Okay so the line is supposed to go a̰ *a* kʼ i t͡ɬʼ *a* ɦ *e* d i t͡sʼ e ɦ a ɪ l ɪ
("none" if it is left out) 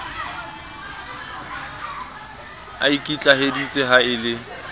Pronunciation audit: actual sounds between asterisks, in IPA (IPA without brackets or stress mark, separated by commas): i, a, e